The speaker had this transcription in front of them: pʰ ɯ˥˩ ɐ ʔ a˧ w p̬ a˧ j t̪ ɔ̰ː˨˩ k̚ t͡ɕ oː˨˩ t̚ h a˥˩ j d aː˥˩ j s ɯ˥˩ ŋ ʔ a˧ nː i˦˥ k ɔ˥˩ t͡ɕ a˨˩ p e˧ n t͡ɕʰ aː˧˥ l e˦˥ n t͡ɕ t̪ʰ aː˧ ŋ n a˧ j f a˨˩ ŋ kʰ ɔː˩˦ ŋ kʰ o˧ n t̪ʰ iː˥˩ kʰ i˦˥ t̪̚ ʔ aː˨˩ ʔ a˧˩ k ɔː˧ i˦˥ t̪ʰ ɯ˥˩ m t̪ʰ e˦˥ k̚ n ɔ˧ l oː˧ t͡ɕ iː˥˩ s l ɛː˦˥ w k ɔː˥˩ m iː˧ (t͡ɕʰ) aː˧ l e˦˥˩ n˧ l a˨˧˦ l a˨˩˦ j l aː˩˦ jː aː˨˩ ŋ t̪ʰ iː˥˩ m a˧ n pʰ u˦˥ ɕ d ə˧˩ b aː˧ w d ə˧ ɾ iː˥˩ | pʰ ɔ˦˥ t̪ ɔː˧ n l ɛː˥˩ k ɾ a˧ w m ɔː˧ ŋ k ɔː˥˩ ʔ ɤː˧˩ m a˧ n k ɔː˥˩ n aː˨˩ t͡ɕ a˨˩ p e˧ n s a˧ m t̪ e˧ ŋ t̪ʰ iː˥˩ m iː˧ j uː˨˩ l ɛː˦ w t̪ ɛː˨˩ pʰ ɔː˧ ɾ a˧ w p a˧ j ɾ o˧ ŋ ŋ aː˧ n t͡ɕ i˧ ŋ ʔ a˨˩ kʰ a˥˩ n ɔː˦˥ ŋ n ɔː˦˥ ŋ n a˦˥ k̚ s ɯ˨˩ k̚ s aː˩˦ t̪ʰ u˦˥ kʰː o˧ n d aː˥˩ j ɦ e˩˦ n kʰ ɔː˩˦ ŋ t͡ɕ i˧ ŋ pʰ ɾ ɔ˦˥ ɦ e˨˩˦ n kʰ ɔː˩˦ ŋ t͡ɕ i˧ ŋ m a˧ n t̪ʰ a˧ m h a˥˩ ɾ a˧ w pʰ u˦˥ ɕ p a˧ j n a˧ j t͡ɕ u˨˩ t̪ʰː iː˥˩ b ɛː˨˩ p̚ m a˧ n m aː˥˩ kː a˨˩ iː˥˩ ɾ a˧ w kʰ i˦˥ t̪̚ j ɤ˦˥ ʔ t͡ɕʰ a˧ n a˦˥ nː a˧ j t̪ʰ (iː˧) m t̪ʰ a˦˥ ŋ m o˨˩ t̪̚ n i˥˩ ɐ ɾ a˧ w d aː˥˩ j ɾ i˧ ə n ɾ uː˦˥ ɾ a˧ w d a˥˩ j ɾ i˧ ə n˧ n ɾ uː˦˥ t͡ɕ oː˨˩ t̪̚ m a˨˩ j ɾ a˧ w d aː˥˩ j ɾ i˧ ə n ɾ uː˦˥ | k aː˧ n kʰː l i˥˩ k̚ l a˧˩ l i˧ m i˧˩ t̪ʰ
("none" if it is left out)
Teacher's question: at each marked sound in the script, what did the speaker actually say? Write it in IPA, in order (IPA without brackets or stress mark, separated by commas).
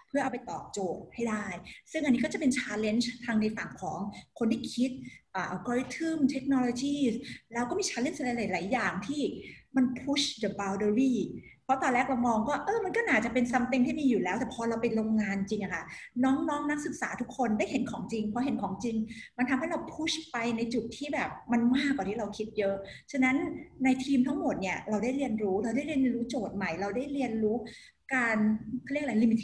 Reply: t͡ɕʰ, iː˧